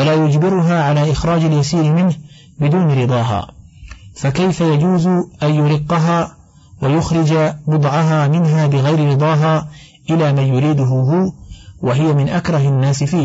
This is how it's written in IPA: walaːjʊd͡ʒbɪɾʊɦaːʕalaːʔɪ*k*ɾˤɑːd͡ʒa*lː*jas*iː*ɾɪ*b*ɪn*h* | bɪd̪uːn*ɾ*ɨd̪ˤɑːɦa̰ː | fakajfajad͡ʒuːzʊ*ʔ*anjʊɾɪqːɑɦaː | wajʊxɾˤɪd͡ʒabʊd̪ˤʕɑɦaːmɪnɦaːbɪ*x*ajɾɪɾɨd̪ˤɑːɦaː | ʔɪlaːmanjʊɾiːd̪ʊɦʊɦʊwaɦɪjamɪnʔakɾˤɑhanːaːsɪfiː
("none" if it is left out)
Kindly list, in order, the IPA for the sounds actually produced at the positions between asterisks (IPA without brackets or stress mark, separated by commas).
x, l, iː, m, h, ɾ, ʔ, ɣ